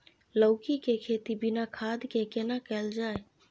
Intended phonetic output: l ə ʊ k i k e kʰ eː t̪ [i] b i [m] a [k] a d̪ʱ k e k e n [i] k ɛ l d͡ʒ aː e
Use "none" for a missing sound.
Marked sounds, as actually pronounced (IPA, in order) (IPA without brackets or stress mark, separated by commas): i, n, kʰ, a